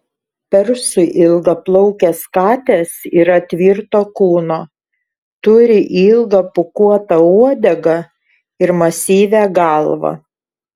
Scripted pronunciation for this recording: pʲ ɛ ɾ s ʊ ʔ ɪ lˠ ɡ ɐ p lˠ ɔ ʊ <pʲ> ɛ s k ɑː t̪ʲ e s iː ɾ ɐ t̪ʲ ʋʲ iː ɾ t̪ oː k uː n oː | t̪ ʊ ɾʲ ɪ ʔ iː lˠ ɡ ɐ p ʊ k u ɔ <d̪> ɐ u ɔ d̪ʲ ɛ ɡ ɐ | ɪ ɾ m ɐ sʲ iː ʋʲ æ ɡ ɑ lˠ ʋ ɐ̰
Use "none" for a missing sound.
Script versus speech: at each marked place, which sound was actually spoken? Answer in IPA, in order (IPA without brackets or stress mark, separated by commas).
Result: kʲ, t̪